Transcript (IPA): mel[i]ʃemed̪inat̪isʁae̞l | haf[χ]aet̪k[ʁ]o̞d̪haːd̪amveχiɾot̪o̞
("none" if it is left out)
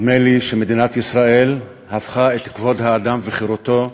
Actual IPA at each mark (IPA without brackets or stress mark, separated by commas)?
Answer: i, χ, v